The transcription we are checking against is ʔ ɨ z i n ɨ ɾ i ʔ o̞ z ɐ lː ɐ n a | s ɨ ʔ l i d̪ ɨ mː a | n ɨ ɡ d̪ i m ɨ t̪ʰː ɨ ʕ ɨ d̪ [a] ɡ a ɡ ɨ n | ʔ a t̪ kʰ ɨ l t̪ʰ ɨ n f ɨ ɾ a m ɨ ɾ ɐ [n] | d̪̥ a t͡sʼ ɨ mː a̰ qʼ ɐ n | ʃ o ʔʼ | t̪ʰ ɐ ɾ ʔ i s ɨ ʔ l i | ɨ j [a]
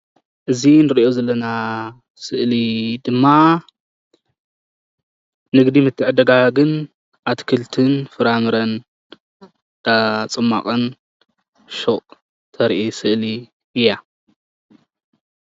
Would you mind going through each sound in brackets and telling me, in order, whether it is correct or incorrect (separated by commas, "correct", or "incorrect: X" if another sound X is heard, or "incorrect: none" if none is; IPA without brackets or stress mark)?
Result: incorrect: ɐ, correct, correct